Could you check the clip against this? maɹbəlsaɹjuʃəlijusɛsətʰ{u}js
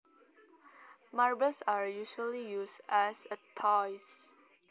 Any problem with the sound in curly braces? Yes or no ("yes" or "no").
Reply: yes